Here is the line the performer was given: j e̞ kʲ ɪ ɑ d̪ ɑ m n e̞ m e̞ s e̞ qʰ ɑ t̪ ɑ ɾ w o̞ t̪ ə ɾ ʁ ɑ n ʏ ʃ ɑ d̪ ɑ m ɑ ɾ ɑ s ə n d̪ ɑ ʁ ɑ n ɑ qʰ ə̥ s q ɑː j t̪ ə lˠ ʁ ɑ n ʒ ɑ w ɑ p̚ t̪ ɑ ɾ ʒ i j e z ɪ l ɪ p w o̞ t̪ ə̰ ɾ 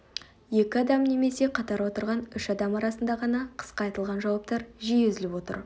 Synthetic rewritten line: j e̞ kʲ ɪ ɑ d̪ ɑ m n e̞ m e̞ s e̞ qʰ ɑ t̪ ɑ ɾ w o̞ t̪ ə ɾ ʁ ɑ n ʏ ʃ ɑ d̪ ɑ m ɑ ɾ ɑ s ə n d̪ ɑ ʁ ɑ n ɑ qʰ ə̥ s q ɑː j t̪ ə lˠ ʁ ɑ n ʒ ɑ w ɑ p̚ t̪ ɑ ɾ ʒ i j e z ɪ l ɪ p w o̞ t̪ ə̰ ɾ